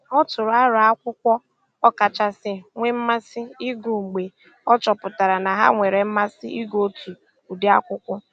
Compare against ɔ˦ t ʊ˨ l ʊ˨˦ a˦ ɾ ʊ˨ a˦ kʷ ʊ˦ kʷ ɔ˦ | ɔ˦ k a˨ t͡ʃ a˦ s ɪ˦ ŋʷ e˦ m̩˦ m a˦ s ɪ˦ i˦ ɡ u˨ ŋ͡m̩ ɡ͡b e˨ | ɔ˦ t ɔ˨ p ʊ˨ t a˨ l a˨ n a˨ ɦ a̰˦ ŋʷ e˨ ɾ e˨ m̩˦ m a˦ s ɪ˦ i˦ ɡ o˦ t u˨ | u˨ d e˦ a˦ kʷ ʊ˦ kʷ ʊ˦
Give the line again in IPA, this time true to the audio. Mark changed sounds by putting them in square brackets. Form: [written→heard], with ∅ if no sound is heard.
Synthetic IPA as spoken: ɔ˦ t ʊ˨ [l→ɾ] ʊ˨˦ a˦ ɾ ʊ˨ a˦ kʷ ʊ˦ kʷ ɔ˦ | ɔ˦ k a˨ t͡ʃ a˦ s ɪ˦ ŋʷ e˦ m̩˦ m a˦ s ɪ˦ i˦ ɡ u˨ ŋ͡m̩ ɡ͡b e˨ | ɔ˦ [t→t͡ʃ] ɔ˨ p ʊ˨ t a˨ [l→ɾ] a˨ n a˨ ɦ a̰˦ ŋʷ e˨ ɾ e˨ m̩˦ m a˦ s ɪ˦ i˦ ɡ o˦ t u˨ | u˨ d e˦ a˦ kʷ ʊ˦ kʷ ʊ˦